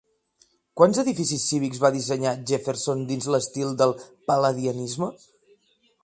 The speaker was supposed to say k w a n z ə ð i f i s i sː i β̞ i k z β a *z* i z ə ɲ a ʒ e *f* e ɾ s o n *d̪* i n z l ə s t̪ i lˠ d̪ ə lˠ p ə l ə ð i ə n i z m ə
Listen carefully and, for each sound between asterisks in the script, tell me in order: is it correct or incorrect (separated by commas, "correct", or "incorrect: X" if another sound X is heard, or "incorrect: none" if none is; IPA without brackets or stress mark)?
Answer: incorrect: ð, correct, correct